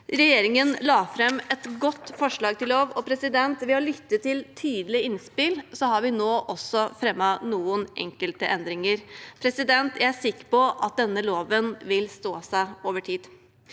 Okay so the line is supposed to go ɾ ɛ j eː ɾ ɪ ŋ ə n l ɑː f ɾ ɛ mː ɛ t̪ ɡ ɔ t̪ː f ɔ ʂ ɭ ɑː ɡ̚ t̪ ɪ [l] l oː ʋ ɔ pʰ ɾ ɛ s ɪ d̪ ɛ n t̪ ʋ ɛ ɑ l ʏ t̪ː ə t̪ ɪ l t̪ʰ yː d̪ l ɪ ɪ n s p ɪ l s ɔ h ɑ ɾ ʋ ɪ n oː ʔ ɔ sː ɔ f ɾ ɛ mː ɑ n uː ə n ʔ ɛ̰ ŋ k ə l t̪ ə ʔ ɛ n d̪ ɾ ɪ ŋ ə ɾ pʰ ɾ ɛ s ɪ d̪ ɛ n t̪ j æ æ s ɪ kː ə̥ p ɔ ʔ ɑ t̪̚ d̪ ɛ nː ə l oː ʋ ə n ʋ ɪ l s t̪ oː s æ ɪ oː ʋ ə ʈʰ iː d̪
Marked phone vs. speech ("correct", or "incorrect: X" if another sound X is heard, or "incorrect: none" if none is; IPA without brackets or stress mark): correct